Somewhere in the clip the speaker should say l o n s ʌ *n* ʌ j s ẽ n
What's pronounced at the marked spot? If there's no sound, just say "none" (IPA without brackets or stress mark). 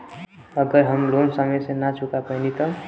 m